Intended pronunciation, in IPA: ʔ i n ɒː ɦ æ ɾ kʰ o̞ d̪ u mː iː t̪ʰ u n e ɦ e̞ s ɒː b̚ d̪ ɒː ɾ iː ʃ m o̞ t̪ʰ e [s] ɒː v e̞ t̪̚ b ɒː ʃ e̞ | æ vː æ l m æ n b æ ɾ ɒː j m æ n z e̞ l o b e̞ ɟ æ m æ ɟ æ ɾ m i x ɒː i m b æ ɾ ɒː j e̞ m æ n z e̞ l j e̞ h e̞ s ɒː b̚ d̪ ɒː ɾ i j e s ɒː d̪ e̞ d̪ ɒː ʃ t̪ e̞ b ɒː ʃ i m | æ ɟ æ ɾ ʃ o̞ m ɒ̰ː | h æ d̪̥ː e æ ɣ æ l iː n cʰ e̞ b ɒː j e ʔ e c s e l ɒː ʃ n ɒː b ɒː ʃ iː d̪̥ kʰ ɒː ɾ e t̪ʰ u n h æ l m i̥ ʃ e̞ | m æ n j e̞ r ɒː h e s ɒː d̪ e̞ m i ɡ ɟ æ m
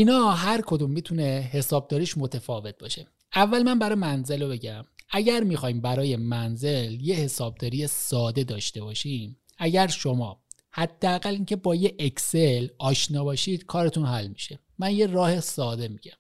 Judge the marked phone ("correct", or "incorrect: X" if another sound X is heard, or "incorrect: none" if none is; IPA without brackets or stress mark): incorrect: f